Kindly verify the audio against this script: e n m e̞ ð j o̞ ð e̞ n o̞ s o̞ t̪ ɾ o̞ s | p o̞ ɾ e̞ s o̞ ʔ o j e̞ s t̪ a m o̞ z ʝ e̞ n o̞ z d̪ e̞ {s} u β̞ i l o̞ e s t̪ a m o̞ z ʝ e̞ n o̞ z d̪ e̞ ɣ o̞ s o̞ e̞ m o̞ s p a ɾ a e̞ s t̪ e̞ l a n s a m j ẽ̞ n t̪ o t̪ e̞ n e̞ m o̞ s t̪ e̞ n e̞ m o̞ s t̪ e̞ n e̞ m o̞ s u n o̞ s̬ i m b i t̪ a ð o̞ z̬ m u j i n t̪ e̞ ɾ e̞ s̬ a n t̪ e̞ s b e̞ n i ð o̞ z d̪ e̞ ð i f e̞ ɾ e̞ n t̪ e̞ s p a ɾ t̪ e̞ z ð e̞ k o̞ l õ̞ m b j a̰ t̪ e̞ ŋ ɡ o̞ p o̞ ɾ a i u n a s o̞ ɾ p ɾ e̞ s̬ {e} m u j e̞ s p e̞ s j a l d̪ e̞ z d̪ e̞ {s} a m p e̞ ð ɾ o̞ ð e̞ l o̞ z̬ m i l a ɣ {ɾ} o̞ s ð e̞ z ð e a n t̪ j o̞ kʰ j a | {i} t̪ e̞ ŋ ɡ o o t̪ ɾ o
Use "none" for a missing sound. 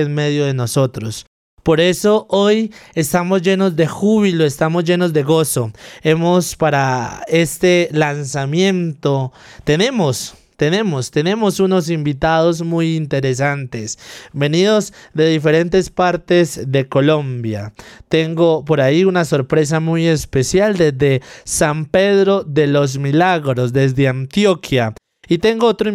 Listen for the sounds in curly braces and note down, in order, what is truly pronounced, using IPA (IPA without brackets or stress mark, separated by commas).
x, a, s, ɾ, i